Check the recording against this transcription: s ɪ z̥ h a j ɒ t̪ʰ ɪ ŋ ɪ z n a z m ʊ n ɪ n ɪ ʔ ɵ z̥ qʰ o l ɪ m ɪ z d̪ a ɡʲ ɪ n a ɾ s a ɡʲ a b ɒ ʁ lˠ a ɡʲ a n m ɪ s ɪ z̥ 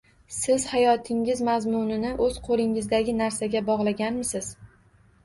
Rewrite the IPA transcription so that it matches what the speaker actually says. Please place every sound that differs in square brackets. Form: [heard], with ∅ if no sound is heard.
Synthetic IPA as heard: s ɪ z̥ h a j ɒ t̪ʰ ɪ ŋ ɪ z [m] a z m ʊ n ɪ n ɪ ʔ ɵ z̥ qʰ o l ɪ [ŋ] ɪ z d̪ a ɡʲ ɪ n a ɾ s a ɡʲ a b ɒ ʁ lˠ a ɡʲ a n m ɪ s ɪ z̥